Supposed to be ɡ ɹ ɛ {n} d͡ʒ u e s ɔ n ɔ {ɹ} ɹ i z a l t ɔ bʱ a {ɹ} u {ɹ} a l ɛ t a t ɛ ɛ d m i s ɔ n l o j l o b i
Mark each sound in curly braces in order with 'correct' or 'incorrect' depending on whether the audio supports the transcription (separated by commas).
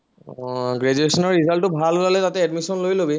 incorrect, correct, incorrect, incorrect